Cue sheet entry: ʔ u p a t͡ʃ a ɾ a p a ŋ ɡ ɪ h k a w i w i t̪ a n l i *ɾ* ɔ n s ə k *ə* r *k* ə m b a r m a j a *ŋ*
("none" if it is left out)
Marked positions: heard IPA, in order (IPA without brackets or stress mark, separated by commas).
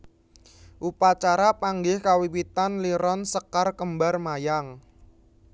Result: ɾ, a, k, ŋ